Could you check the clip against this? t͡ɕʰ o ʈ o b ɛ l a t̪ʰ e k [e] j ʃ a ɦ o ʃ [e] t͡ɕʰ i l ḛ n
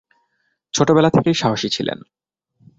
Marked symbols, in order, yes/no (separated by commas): yes, no